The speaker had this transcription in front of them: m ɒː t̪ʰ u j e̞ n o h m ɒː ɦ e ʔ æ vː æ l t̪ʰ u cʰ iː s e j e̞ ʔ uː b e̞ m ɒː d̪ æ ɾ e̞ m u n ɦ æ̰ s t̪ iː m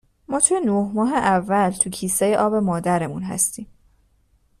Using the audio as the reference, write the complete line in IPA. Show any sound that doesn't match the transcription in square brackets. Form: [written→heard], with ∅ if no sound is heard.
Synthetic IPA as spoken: m ɒː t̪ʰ u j e̞ n o h m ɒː ɦ e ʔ æ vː æ l t̪ʰ u cʰ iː s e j e̞ ʔ [uː→ɒː] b e̞ m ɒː d̪ æ ɾ e̞ m u n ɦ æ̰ s t̪ iː m

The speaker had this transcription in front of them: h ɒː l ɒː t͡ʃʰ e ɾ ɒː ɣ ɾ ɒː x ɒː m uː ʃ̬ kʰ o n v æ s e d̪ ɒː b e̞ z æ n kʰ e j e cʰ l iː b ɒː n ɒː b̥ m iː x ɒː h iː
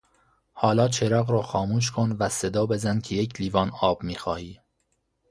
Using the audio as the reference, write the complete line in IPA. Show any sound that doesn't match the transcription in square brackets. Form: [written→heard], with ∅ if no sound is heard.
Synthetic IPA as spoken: h ɒː l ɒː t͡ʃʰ e ɾ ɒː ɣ ɾ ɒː x ɒː m uː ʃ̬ kʰ o n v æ s e d̪ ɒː b e̞ z æ n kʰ e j e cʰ l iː [b→v] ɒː n ɒː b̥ m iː x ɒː h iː

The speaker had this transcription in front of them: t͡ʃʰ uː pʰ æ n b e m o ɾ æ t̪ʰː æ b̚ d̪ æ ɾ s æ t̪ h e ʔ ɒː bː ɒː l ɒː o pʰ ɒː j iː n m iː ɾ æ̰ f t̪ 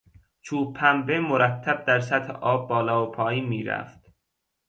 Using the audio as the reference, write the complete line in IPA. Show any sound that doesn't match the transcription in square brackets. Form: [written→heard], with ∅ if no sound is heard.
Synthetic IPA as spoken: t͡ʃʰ uː pʰ æ [n→m] b e m o ɾ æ t̪ʰː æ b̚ d̪ æ ɾ s æ t̪ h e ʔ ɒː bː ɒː l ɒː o pʰ ɒː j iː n m iː ɾ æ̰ f t̪

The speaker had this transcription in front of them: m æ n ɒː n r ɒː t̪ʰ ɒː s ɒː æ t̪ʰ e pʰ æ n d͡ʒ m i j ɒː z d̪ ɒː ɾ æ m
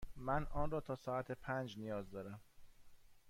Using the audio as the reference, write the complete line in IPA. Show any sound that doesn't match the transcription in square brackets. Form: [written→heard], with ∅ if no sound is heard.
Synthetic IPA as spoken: m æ n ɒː n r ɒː t̪ʰ ɒː s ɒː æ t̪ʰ e pʰ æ n d͡ʒ [m→n] i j ɒː z d̪ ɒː ɾ æ m

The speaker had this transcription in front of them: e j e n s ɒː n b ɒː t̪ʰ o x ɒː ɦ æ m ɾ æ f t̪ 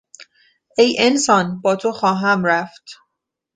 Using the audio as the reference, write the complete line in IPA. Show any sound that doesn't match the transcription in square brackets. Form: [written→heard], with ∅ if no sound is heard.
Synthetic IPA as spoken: e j e n s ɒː n b ɒː t̪ʰ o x ɒː ɦ æ m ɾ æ f t̪

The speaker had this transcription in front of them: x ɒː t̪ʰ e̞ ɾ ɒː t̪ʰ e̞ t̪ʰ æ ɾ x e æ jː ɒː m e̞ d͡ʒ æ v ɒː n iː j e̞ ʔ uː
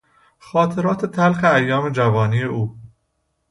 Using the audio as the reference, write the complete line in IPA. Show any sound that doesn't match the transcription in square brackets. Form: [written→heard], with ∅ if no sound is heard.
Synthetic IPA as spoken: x ɒː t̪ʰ e̞ ɾ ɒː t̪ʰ e̞ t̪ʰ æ [ɾ→l] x e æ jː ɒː m e̞ d͡ʒ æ v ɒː n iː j e̞ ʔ uː

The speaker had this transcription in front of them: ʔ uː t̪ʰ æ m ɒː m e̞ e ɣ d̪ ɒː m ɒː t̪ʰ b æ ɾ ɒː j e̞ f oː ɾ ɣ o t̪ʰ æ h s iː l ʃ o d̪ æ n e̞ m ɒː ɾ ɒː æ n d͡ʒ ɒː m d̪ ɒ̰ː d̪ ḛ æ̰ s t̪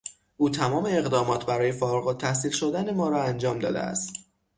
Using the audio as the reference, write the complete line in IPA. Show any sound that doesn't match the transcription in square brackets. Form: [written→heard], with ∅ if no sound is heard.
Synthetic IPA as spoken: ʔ uː t̪ʰ æ m ɒː m e̞ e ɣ d̪ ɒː m ɒː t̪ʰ b æ ɾ ɒː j e̞ f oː ɾ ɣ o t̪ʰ æ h s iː l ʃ o d̪ æ n e̞ m ɒː ɾ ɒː æ n d͡ʒ ɒː m d̪ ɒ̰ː d̪ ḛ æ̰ s t̪

